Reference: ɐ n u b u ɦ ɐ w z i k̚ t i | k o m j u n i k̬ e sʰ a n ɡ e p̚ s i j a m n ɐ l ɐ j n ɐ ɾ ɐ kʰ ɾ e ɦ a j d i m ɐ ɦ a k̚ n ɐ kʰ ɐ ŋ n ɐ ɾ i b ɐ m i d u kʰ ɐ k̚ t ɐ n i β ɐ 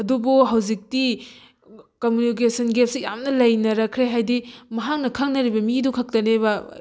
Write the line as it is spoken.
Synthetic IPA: ɐ d u b u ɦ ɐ w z i k̚ t i | k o m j u n i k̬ e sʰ ɐ n ɡ e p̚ s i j a m n ɐ l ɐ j n ɐ ɾ ɐ kʰ ɾ e ɦ a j d i m ɐ ɦ a k̚ n ɐ kʰ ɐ ŋ n ɐ ɾ i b ɐ m i d u kʰ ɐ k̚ t ɐ n e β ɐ